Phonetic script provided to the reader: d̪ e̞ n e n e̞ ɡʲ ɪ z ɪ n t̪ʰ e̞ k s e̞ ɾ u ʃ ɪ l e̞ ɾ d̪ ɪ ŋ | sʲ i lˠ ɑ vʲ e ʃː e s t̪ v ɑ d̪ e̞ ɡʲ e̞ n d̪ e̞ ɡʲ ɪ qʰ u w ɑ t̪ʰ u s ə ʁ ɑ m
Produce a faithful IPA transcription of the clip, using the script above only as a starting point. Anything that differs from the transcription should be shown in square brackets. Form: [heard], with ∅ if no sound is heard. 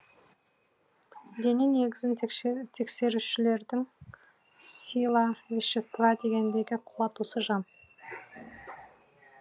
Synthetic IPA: d̪ e̞ n e n e̞ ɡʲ ɪ z ɪ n t̪ʰ e̞ k s e̞ ɾ u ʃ ɪ l e̞ ɾ d̪ ɪ ŋ | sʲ i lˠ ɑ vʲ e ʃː e s t̪ v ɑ d̪ e̞ ɡʲ e̞ n d̪ e̞ ɡʲ ɪ qʰ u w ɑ [t̪] u s ə [ʒ] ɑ m